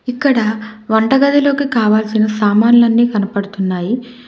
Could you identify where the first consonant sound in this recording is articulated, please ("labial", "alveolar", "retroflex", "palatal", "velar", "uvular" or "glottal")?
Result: velar